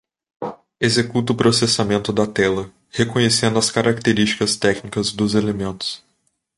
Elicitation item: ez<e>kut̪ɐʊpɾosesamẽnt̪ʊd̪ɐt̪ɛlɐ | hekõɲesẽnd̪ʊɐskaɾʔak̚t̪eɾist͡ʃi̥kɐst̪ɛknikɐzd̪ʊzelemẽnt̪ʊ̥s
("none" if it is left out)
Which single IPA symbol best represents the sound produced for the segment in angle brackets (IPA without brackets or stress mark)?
e